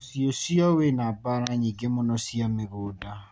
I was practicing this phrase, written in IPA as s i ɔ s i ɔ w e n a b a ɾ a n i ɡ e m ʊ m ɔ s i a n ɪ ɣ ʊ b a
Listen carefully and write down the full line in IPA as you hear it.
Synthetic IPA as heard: s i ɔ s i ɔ w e n a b a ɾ a ɲ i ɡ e m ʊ n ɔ s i a m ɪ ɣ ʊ d a